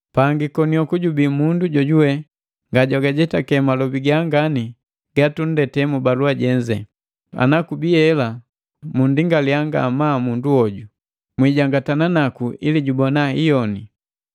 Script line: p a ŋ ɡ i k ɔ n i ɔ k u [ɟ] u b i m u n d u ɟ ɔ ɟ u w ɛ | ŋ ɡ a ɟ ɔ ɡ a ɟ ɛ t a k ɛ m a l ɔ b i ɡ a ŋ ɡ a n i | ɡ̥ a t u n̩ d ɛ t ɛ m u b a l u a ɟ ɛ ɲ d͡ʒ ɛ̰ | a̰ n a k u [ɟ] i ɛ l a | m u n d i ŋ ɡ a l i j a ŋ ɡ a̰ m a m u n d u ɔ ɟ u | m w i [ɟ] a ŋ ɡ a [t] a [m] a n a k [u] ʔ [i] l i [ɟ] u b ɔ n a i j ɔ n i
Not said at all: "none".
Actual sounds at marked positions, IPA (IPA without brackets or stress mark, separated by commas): ɟ, b, ɟ, t, n, u, i, ɟ